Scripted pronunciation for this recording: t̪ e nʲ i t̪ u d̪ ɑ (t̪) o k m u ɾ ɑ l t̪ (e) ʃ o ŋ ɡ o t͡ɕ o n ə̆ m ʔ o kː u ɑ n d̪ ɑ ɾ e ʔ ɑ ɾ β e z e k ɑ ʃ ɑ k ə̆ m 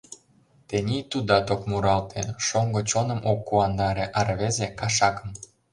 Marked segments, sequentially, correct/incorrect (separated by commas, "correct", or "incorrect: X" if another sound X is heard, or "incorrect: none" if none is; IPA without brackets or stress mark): correct, correct